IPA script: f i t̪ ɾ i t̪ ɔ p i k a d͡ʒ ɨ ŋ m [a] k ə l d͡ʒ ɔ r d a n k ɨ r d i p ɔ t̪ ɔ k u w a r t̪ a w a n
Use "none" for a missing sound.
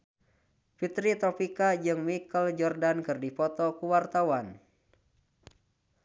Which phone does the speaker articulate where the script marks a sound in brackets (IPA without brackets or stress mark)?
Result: i